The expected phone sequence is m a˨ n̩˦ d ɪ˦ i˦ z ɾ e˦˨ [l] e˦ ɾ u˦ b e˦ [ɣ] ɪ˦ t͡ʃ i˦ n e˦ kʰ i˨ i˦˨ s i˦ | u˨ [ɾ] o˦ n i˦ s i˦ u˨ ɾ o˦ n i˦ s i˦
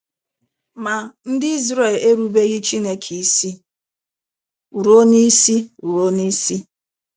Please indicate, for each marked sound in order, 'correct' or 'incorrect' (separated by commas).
correct, correct, correct